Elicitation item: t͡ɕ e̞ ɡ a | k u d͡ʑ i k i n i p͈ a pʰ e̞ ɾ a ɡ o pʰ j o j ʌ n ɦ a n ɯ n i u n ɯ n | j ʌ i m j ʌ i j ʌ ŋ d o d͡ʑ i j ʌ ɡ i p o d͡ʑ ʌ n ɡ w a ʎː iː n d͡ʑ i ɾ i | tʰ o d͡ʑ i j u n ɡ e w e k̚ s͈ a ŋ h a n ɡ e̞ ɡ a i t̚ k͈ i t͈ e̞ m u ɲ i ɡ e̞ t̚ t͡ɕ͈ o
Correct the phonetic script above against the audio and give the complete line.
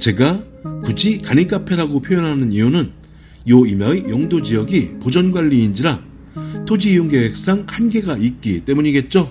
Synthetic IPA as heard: t͡ɕ e̞ ɡ a | k u d͡ʑ i k a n i k͈ a pʰ e̞ ɾ a ɡ o pʰ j o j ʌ n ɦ a n ɯ n i u n ɯ n | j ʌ i m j ʌ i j ʌ ŋ d o d͡ʑ i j ʌ ɡ i p o d͡ʑ ʌ n ɡ w a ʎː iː n d͡ʑ i ɾ a | tʰ o d͡ʑ i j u ŋ ɡ e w e k̚ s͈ a ŋ h a n ɡ e̞ ɡ a i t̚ k͈ i t͈ e̞ m u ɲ i ɡ e̞ t̚ t͡ɕ͈ o